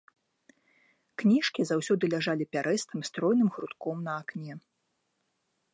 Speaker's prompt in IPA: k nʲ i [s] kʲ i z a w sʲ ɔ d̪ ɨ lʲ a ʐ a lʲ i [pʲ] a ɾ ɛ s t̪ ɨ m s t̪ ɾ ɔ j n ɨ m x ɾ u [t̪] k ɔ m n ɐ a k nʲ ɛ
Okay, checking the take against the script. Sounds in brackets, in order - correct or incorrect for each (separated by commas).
incorrect, correct, correct